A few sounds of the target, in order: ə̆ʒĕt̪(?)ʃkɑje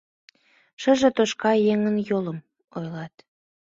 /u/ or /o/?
o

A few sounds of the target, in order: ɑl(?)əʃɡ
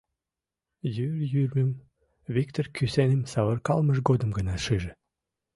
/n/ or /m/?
m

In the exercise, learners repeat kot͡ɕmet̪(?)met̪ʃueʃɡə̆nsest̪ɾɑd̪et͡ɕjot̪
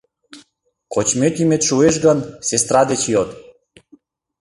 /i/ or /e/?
i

